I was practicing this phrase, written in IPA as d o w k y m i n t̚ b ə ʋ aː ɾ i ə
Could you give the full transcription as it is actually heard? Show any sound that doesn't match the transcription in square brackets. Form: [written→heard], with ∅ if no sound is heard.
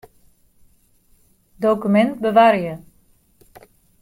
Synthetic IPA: d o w k y m [i→ɛ] n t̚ b ə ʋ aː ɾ [i→j] ə